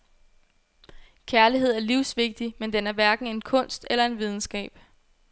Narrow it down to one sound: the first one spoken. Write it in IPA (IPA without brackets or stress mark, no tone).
kʰ